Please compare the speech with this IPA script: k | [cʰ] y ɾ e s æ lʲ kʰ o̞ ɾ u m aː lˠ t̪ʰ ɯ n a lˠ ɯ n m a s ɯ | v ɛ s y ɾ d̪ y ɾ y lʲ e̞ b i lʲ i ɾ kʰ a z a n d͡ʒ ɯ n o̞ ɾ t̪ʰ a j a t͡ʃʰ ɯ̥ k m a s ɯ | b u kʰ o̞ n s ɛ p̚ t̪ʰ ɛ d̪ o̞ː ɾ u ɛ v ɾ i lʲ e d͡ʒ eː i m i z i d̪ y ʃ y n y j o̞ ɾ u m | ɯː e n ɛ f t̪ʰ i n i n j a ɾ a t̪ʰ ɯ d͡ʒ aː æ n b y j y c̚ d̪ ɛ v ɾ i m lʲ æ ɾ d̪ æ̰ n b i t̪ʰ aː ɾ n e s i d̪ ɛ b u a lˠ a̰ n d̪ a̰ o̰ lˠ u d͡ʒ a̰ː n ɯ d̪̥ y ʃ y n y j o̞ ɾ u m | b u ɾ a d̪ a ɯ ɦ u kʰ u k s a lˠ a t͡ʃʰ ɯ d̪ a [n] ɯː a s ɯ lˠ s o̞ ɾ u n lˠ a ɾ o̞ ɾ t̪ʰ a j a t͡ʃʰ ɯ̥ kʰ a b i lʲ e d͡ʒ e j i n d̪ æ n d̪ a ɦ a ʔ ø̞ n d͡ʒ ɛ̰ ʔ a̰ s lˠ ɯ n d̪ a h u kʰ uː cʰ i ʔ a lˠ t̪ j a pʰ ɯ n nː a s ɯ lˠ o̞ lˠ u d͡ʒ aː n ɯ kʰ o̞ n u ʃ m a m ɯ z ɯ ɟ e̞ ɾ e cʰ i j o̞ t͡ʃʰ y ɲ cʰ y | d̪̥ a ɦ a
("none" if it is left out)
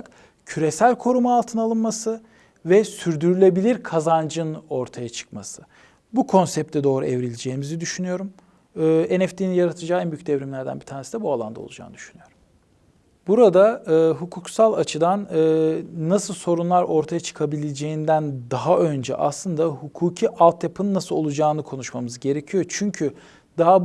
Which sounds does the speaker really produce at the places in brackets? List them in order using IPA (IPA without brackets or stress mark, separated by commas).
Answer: cʰ, n